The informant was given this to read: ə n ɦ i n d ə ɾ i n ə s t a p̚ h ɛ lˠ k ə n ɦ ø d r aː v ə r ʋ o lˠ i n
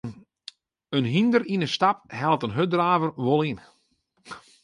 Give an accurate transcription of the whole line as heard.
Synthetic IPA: ə n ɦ i n d ə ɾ i n ə s t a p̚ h ɛ lˠ t ə n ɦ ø d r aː v ə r ʋ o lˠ i n

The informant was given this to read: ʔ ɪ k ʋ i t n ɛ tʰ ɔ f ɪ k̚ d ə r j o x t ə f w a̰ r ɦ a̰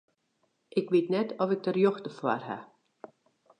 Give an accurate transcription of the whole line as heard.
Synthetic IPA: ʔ ɪ k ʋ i t n ɛ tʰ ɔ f ɪ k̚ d ə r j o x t ə f w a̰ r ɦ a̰

